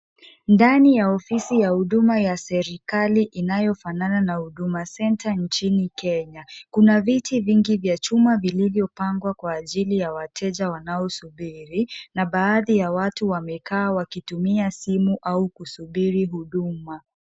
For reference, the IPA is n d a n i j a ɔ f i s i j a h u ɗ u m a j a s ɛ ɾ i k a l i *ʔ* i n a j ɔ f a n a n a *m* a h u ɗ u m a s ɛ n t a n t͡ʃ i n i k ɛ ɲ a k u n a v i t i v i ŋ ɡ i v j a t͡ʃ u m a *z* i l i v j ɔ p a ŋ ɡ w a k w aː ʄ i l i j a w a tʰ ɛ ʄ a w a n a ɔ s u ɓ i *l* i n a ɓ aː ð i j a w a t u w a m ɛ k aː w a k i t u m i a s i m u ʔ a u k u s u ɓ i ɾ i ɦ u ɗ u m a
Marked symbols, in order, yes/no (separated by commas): yes, no, no, no